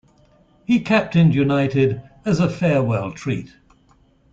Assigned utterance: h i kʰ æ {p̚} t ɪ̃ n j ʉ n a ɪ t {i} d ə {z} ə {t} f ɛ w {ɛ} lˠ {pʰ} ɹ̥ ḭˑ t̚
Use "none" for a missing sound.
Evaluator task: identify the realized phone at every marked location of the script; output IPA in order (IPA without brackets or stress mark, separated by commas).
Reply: p̚, ɪ, z, none, ɛ, tʰ